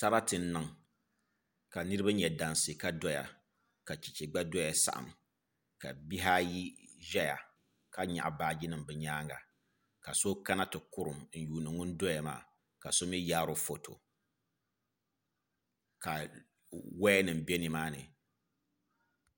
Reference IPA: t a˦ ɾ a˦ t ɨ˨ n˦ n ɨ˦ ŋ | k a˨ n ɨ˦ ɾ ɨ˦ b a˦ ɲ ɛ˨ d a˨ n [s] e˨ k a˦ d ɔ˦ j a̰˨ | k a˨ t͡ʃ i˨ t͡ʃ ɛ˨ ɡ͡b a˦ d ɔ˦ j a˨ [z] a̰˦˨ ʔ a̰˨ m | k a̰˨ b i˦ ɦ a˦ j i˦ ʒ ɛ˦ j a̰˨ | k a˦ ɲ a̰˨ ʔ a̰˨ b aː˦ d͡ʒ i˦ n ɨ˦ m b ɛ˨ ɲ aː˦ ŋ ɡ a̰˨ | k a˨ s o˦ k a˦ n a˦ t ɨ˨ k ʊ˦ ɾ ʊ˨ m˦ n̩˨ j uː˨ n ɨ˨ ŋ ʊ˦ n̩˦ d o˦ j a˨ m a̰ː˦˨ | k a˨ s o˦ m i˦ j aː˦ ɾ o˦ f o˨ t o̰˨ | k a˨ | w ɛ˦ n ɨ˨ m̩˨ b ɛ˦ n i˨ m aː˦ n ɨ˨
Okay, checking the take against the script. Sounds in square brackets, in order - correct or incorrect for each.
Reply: correct, incorrect: s

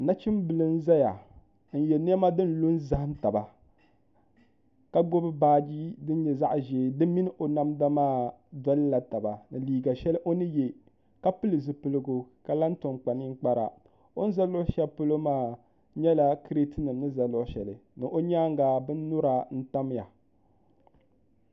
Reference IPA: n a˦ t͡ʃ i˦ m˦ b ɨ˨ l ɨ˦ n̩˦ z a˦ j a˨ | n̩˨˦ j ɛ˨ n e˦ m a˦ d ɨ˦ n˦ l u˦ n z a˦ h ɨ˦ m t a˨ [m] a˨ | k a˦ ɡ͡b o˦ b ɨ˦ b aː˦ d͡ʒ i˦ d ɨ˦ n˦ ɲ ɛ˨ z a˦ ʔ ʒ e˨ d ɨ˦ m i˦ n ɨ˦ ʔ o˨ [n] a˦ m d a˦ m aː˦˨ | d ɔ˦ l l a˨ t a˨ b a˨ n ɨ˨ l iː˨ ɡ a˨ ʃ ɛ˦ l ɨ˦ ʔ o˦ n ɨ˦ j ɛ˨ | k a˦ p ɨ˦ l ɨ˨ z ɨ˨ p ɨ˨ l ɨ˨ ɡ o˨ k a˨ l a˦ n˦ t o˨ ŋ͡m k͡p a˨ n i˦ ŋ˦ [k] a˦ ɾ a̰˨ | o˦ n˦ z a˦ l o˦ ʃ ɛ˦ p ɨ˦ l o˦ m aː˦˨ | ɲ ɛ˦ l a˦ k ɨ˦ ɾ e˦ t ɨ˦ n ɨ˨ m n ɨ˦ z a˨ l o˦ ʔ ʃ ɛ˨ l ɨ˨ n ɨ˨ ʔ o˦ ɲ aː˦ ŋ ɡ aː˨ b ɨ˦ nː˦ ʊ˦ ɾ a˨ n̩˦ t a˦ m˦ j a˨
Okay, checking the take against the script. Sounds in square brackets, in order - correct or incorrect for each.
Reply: incorrect: b, correct, incorrect: k͡p

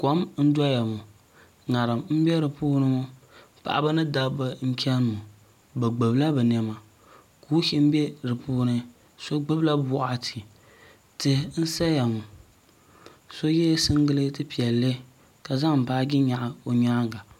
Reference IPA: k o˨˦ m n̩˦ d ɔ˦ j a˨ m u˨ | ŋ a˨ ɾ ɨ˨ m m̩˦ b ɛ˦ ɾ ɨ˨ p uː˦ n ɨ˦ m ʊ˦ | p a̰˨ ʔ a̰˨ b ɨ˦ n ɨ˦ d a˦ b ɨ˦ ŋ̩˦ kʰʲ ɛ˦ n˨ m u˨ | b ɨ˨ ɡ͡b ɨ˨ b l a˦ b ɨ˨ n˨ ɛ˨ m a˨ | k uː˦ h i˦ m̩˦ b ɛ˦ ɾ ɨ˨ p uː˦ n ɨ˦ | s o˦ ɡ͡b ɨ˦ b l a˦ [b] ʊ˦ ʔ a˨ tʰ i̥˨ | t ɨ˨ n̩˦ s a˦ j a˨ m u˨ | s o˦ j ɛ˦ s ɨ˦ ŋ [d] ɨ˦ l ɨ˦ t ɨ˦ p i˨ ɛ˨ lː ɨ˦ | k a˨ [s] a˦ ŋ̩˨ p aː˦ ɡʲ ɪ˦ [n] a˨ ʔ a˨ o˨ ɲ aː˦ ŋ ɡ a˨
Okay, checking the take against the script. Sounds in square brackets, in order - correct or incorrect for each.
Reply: correct, incorrect: ɡ, incorrect: z, incorrect: ɲ

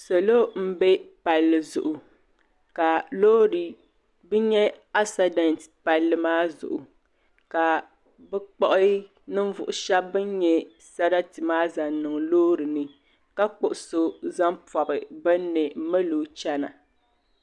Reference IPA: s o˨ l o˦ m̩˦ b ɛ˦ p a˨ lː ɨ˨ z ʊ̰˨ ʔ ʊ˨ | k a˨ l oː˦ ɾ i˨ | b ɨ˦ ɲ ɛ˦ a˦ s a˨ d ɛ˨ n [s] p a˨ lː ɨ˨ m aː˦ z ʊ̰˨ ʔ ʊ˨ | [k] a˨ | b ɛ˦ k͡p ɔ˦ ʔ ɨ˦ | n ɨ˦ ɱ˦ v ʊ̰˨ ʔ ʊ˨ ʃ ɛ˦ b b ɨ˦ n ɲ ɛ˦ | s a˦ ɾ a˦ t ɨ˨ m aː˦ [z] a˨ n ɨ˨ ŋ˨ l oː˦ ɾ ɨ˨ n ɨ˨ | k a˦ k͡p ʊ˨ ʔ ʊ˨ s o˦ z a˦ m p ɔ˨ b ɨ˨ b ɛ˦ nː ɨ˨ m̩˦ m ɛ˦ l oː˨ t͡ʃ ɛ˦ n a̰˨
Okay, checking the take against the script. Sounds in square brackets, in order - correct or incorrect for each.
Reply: incorrect: t, correct, correct

